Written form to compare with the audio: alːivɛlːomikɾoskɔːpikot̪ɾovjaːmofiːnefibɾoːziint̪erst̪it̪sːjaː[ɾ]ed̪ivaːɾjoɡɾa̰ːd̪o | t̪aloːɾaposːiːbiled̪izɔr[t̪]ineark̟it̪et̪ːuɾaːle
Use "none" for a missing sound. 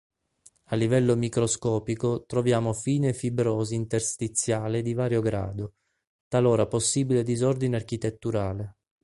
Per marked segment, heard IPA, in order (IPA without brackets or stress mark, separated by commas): l, d̪